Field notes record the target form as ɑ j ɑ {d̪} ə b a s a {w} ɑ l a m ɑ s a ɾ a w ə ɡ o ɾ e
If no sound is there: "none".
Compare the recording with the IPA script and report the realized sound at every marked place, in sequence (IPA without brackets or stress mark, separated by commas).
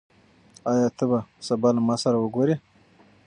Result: t̪, b